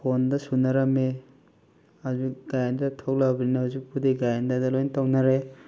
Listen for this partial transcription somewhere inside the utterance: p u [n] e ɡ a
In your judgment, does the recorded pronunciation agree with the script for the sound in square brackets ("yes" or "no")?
no